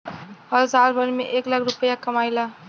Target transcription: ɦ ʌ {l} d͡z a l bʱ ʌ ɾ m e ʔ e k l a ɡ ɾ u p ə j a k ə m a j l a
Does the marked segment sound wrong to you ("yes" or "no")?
no